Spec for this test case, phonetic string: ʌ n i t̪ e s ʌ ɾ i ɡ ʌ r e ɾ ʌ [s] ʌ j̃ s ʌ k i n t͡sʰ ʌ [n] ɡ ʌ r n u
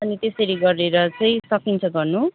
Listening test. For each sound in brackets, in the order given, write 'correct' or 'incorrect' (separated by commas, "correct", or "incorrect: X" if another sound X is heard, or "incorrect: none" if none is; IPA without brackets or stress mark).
incorrect: t͡s, incorrect: none